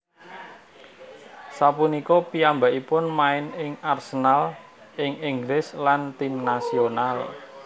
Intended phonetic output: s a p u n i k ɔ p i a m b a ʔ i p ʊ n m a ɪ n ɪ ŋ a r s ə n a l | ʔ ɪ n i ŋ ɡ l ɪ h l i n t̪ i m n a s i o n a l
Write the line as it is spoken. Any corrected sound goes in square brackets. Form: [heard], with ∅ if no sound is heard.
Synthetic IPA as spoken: s a p u n i k ɔ p i a m b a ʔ i p ʊ n m a ɪ n ɪ ŋ a r s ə n a l | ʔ ɪ [ŋ] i ŋ ɡ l ɪ [s] l [a] n t̪ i m n a s i o n a l